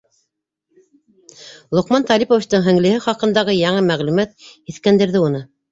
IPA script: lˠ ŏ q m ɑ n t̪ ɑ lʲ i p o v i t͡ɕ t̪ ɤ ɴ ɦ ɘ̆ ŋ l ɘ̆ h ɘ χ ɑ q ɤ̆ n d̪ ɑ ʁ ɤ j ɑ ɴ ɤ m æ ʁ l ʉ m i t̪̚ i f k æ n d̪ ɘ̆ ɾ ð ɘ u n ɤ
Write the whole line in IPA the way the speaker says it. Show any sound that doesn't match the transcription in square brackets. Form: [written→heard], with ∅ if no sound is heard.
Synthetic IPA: lˠ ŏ q m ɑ n t̪ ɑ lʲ i p o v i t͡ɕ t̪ ɤ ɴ ɦ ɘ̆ ŋ l ɘ̆ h ɘ χ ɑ q ɤ̆ n d̪ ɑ ʁ ɤ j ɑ ɴ ɤ m æ ʁ l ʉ m [i→æ] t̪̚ i [f→θ] k æ n d̪ ɘ̆ ɾ ð ɘ u n ɤ